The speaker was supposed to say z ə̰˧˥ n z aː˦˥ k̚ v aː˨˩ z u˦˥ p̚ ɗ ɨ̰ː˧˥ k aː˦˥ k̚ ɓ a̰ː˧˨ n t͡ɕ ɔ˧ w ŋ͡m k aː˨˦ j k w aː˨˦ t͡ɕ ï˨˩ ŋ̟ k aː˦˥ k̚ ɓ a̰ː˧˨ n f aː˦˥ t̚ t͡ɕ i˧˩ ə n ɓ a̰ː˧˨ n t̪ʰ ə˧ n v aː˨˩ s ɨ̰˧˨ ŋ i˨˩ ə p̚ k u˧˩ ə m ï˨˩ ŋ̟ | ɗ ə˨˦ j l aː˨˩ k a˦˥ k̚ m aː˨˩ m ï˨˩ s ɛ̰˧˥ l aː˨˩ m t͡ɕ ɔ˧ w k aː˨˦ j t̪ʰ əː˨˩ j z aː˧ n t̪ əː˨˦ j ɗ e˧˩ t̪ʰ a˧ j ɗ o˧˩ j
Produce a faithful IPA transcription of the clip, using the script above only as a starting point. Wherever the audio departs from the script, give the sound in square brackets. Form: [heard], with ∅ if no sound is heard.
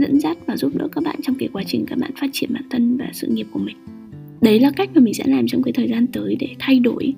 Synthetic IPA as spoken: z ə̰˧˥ n z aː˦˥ [t̚] v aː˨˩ z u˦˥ p̚ ɗ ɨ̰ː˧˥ k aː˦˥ k̚ ɓ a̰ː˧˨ n t͡ɕ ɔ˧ w ŋ͡m k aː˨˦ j k w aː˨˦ t͡ɕ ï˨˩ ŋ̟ k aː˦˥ k̚ ɓ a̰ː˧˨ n f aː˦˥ t̚ t͡ɕ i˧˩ ə n ɓ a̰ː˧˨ n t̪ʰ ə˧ n v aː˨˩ s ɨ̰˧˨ ŋ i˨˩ ə p̚ k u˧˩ ə m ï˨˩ ŋ̟ | ɗ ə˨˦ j l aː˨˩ k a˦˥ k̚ m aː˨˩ m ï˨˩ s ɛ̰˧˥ l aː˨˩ m t͡ɕ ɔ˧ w k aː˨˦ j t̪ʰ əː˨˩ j z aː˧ n t̪ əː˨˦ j ɗ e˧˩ t̪ʰ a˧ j ɗ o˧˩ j